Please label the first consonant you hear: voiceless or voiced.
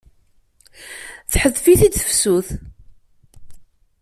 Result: voiceless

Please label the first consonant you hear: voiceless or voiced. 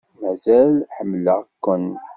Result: voiced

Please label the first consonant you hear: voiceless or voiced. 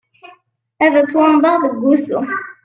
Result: voiced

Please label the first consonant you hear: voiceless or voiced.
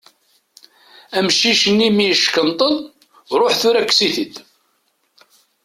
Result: voiced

